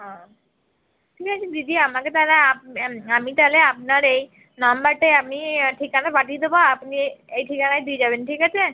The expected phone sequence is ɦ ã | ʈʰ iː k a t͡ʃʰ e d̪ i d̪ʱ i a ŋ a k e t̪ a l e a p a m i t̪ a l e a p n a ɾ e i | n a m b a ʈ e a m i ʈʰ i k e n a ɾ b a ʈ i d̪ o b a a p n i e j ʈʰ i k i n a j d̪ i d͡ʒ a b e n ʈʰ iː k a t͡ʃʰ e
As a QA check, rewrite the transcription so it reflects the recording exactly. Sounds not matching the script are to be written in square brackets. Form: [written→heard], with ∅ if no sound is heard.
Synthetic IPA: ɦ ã | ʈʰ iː k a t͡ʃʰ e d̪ i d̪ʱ i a [ŋ→m] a k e t̪ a l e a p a m i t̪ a l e a p n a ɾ e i | n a m b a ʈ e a m i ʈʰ i k [e→a] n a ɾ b a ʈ i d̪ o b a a p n i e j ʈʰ i k [i→a] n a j d̪ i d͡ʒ a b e n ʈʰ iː k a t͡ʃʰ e